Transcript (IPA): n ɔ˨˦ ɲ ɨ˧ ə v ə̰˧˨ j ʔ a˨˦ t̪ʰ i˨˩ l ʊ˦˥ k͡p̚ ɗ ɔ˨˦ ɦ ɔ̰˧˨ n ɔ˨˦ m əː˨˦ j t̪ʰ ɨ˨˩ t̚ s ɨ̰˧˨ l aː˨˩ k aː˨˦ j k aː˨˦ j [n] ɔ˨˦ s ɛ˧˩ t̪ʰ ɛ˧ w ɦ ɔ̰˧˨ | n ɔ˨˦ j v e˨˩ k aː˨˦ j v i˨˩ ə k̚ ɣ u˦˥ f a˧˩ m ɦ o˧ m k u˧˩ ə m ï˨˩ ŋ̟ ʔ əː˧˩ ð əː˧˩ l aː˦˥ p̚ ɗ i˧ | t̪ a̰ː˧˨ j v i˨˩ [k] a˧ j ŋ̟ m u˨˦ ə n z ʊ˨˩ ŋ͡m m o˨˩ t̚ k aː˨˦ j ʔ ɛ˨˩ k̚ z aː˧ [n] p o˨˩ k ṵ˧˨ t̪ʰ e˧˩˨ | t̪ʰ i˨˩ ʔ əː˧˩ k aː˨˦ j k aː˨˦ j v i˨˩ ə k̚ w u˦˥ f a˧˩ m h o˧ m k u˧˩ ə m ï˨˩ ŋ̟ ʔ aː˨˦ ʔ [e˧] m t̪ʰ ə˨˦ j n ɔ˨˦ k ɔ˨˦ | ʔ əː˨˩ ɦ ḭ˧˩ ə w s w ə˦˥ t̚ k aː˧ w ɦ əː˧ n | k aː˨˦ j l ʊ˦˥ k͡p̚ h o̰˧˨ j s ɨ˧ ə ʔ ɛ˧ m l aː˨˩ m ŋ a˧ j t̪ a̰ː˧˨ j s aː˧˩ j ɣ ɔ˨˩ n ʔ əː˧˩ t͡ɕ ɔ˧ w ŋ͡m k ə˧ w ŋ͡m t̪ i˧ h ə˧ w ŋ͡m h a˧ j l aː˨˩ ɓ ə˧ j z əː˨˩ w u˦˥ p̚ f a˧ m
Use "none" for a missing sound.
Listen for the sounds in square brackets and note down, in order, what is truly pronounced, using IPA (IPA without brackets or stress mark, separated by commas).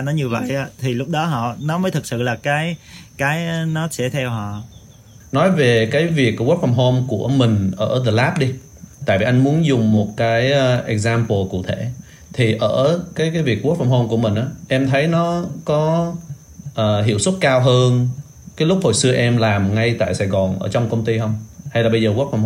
n, ʔ, m, ɛ˧